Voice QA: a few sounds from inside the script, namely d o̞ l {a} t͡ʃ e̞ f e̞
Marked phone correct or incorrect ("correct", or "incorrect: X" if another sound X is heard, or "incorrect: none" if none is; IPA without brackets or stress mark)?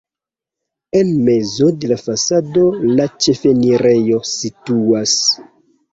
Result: correct